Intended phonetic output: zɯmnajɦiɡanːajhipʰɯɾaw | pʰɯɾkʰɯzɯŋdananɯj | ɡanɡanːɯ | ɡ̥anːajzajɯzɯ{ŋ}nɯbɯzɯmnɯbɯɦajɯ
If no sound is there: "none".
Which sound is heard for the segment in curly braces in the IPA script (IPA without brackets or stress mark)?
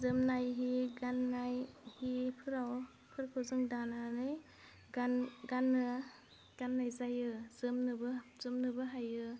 m